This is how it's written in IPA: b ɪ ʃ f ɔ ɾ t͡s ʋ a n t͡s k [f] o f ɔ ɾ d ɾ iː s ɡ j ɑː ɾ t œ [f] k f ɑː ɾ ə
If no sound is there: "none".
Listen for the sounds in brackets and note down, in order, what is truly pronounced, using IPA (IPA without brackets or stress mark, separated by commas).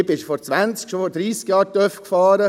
ʃ, f